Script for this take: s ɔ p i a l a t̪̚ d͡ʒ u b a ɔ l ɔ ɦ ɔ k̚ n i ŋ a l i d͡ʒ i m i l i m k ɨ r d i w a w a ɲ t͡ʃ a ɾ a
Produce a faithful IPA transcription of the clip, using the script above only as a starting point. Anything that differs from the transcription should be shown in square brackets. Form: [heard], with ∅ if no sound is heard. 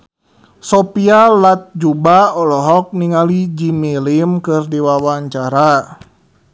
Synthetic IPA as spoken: s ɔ p i a l a t̪̚ d͡ʒ u b a ɔ l ɔ ɦ ɔ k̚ n i ŋ a l i d͡ʒ i m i l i m k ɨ r d i w a w a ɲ t͡ʃ a ɾ a